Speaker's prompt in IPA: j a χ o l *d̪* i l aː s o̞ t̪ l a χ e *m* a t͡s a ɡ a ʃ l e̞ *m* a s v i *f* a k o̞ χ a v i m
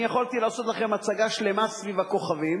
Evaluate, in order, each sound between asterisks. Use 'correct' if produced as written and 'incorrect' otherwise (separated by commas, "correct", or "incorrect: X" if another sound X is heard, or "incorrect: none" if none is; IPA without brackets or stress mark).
incorrect: t̪, correct, correct, incorrect: v